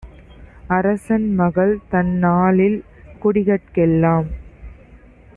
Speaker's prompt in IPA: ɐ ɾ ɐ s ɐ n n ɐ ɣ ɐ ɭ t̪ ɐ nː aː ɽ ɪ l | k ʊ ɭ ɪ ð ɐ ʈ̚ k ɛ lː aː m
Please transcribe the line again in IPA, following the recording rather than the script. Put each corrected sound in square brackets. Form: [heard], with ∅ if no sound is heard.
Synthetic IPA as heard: ɐ ɾ ɐ s ɐ n [m] ɐ ɣ ɐ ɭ t̪ ɐ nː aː [l] ɪ l | k ʊ [ɽ] ɪ [ɣ] ɐ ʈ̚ k ɛ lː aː m